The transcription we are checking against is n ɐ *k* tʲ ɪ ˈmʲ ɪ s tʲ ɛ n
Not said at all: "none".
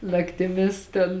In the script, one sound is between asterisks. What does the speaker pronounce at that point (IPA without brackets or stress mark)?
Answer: k